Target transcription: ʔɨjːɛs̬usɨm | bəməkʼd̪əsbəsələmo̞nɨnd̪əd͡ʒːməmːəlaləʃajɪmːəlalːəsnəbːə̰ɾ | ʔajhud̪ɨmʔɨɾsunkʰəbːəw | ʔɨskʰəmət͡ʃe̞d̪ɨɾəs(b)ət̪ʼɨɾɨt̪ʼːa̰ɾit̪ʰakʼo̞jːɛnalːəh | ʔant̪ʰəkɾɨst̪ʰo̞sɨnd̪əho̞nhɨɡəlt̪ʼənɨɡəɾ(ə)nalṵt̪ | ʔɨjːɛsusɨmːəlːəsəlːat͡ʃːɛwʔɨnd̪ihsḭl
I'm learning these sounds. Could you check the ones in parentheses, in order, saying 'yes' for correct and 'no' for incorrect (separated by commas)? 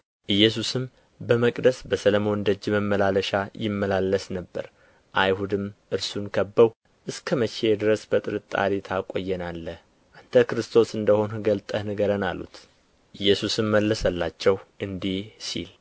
yes, yes